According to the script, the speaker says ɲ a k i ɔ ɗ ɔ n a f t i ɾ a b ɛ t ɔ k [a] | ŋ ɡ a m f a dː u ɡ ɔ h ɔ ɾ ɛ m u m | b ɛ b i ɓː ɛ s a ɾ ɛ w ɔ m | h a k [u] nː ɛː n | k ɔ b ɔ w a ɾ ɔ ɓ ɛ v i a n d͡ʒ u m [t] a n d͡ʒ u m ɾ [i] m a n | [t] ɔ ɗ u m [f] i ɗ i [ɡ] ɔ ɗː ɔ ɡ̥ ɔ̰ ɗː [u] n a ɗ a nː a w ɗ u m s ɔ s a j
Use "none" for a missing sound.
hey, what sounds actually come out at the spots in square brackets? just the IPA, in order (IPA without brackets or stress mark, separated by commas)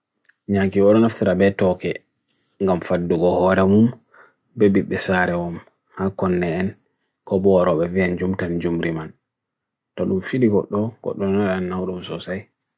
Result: ɛ, ɔ, t, i, t, f, ɡ, ɔ